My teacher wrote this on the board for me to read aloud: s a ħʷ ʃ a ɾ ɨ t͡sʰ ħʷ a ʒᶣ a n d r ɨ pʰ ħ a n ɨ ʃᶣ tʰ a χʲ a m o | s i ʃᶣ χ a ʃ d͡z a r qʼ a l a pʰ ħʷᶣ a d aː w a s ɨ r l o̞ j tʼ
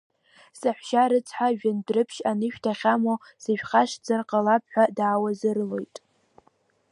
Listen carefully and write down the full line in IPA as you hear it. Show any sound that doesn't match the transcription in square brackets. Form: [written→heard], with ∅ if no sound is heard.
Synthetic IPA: s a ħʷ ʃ a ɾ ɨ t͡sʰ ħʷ a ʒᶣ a n d r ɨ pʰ [ħ→ʃ] a n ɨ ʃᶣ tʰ a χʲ a m o | s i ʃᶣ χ a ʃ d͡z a r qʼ a l a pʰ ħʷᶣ a d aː w a [s→z] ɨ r l o̞ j tʼ